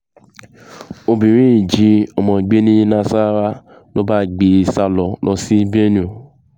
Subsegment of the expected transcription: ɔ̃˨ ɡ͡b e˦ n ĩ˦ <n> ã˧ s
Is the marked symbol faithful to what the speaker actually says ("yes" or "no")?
yes